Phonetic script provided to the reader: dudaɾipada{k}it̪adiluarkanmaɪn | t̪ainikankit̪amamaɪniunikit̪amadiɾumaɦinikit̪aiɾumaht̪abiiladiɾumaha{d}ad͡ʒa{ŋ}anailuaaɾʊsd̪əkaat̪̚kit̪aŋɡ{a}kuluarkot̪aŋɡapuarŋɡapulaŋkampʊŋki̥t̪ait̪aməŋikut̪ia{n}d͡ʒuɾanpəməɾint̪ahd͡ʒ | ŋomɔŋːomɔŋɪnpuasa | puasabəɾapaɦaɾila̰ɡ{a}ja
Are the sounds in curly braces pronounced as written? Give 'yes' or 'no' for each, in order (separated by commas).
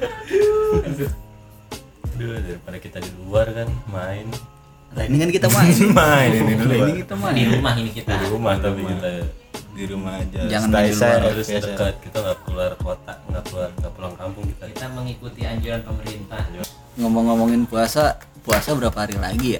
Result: yes, no, yes, yes, no, no